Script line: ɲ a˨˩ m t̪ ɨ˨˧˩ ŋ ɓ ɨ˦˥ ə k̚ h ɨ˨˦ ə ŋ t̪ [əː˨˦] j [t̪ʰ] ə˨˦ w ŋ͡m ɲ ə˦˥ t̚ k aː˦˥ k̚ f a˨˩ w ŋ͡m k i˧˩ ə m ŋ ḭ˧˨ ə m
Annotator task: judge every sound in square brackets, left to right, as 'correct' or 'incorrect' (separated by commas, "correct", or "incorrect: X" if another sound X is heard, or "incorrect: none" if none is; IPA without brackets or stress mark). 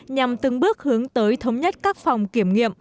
correct, correct